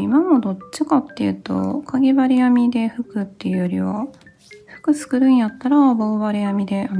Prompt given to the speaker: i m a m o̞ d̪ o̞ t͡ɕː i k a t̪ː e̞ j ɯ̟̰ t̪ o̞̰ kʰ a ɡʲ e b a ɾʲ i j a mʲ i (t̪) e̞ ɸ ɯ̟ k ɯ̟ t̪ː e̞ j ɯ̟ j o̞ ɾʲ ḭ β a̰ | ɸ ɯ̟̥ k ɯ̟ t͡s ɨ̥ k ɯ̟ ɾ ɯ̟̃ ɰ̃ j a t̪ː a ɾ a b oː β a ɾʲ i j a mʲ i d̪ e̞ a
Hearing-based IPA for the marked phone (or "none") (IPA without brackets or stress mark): d̪